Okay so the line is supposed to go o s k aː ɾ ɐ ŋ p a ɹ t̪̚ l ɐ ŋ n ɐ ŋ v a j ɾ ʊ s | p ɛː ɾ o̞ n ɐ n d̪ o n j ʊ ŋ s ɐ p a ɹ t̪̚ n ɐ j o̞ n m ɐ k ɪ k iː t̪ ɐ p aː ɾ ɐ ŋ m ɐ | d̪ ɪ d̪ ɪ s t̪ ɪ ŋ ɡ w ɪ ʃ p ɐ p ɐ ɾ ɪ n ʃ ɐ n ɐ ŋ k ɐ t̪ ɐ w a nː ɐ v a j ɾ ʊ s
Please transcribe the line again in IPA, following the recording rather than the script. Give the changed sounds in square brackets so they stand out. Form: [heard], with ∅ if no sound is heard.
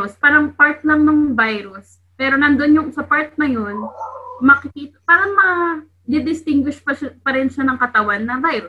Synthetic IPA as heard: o s [p] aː ɾ ɐ ŋ p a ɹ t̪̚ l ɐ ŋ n ɐ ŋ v a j ɾ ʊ s | p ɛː ɾ o̞ n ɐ n d̪ o n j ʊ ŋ s ɐ p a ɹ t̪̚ n ɐ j o̞ n m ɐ k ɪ k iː t̪ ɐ p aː ɾ ɐ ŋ m ɐ | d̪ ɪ d̪ ɪ s t̪ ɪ ŋ ɡ w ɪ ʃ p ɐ p ɐ ɾ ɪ n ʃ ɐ n ɐ ŋ k ɐ t̪ ɐ w a nː ɐ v a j ɾ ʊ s